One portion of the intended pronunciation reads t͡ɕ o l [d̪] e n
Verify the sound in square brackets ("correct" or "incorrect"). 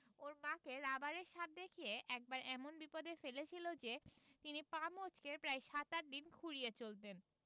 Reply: incorrect